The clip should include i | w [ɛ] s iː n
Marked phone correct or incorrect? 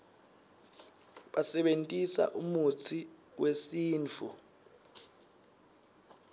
incorrect